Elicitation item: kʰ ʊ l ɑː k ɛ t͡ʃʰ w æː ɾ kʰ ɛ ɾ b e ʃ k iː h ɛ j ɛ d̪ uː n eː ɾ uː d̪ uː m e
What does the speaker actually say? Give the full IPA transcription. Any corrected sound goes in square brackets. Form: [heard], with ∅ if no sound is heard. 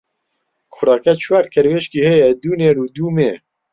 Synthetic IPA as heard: kʰ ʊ [ɾ] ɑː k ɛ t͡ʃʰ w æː ɾ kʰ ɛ ɾ [w] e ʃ k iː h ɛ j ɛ d̪ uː n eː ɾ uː d̪ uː m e